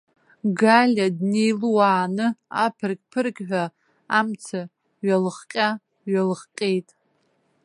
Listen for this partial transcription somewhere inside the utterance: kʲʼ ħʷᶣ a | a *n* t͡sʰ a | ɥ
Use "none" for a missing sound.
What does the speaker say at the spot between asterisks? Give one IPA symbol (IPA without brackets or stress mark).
m